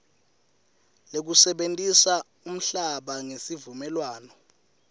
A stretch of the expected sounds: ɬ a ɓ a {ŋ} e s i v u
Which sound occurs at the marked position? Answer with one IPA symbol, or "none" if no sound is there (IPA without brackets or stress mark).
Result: ŋ